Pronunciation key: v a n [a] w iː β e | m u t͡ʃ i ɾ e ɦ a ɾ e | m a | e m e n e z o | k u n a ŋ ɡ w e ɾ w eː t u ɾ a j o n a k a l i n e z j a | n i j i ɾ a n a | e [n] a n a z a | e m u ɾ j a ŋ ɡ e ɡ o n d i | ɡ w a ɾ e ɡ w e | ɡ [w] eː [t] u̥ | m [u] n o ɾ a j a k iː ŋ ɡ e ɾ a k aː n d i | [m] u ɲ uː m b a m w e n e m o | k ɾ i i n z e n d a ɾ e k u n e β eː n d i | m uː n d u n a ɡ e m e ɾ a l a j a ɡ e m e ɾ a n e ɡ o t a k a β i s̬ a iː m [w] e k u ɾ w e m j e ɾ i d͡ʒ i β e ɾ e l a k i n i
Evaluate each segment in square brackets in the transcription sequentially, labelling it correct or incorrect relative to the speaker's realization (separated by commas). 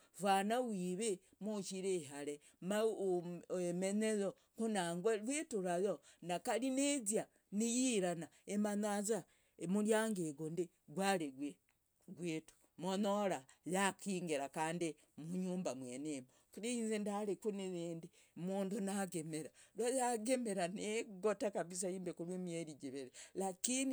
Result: correct, incorrect, correct, correct, incorrect, correct, incorrect